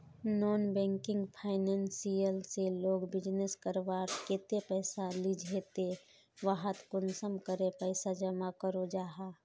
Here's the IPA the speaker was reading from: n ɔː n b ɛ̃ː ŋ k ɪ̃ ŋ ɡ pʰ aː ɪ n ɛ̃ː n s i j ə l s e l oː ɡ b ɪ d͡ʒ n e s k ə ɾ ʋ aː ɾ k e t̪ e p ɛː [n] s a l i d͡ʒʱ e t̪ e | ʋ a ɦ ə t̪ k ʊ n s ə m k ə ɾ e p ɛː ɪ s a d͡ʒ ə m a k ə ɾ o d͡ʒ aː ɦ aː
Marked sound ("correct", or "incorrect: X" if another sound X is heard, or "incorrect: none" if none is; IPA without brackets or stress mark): incorrect: none